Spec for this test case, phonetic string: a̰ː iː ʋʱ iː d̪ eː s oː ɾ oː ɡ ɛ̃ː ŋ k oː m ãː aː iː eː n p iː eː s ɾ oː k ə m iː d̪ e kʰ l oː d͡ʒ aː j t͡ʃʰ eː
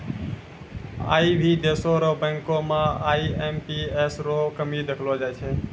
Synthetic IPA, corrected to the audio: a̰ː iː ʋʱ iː d̪ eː s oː ɾ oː b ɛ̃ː ŋ k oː m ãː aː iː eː m p iː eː s ɾ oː k ə m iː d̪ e kʰ l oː d͡ʒ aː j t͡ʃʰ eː